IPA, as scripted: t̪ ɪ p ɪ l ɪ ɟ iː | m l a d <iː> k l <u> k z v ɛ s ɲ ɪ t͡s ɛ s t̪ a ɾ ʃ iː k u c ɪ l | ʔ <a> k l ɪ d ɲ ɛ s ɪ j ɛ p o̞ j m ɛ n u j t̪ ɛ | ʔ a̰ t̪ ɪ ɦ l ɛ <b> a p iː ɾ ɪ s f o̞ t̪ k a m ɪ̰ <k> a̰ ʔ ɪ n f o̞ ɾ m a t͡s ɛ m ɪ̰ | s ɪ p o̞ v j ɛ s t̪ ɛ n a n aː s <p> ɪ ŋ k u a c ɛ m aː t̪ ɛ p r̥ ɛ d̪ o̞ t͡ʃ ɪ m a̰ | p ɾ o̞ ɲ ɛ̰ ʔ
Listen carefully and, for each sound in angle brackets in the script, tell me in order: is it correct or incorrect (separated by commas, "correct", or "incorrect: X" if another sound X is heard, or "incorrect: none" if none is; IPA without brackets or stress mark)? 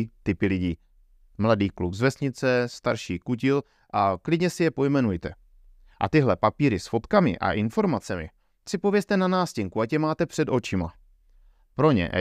correct, correct, correct, incorrect: p, incorrect: ʔ, incorrect: c